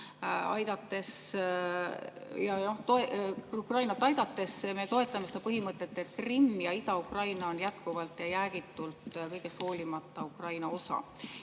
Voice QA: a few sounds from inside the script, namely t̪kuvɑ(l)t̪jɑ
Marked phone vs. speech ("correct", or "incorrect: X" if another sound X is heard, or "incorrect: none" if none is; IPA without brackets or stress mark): correct